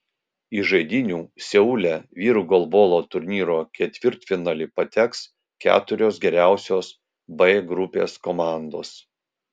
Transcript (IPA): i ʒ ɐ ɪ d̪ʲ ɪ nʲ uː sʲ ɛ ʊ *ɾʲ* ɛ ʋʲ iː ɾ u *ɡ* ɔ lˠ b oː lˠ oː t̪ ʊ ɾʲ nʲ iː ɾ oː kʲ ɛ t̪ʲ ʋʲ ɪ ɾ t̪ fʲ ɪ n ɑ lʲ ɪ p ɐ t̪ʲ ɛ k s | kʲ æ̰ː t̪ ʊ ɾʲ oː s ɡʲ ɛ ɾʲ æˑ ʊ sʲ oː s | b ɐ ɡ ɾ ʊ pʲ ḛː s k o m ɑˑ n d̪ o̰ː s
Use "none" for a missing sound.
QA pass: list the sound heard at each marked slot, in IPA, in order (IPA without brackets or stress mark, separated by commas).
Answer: lʲ, ɡ